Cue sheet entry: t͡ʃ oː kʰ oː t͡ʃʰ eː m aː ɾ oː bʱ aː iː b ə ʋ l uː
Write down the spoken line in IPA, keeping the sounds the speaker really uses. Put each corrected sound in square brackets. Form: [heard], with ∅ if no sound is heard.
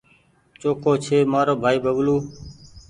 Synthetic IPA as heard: t͡ʃ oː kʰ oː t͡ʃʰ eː m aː ɾ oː bʱ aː iː b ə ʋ l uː